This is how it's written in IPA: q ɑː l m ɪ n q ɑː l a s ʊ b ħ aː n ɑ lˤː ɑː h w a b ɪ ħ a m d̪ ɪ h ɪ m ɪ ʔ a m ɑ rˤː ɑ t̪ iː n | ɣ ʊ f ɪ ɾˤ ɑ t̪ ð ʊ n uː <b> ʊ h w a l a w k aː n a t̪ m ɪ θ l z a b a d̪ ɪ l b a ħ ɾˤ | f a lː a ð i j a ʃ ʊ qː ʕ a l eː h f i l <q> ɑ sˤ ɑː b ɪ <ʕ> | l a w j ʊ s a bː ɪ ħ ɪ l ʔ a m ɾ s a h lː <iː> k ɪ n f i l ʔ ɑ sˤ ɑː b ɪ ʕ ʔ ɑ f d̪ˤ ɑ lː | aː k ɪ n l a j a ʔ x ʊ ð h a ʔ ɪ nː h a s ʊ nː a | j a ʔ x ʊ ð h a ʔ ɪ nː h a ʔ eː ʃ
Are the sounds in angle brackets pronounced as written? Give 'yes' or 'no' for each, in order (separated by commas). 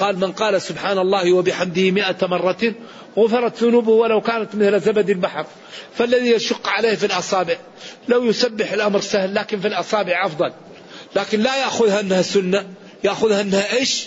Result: yes, no, yes, no